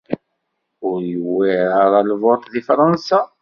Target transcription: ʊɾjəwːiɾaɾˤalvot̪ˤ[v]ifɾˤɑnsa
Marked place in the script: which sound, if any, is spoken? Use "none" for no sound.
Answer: ð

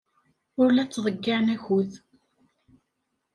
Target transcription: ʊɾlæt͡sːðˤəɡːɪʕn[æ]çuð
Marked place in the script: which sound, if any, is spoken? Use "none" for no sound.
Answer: æ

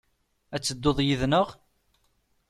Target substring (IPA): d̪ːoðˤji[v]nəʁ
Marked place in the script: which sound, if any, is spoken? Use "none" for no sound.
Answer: ð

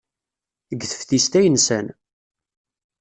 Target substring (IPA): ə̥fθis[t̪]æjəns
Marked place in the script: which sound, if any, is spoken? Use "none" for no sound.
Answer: t̪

